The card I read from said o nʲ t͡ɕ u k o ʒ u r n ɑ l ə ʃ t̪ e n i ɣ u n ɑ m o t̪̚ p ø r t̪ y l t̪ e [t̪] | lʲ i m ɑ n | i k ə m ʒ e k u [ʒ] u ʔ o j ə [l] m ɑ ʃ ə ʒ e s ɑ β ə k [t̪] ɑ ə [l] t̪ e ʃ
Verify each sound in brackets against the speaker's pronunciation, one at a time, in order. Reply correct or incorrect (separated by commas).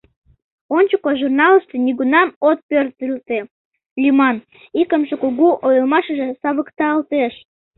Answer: incorrect, incorrect, correct, correct, correct